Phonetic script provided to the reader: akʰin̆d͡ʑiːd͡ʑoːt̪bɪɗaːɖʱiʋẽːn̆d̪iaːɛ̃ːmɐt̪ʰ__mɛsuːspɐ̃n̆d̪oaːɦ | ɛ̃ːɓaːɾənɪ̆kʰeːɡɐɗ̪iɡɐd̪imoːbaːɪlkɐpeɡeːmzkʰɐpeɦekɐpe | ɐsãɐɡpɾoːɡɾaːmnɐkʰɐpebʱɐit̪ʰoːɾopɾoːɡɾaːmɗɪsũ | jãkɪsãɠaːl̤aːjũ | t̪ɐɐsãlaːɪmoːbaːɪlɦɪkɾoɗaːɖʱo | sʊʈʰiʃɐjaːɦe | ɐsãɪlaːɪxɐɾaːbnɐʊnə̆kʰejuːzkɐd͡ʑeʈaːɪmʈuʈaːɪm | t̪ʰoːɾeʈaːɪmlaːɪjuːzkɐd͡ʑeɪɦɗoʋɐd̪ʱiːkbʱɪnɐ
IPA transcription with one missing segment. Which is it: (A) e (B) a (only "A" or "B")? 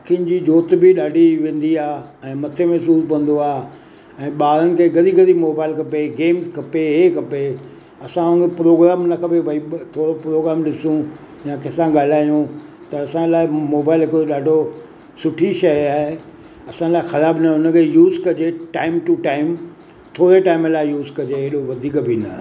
A